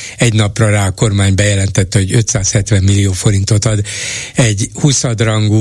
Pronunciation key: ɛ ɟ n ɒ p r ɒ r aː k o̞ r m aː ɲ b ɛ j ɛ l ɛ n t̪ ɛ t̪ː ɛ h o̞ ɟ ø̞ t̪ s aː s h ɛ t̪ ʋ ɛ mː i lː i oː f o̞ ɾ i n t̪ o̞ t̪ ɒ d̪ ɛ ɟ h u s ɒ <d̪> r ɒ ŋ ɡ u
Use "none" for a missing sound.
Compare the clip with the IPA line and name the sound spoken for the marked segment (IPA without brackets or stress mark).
d̪